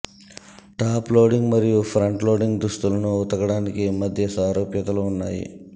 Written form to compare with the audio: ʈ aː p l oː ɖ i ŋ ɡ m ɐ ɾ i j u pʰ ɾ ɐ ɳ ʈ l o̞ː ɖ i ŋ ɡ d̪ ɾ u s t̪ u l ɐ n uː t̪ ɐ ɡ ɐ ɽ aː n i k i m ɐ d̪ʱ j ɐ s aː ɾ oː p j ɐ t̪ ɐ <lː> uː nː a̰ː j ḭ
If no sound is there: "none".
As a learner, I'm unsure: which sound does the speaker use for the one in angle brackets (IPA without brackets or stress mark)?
l